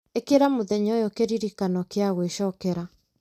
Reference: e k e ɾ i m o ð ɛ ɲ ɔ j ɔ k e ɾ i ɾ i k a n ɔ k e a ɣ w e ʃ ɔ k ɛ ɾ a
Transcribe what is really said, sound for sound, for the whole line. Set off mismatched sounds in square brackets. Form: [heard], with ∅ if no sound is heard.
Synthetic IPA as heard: e k e ɾ [a] m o ð ɛ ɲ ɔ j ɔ k e ɾ i ɾ i k a n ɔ k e a ɣ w e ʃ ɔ k ɛ ɾ a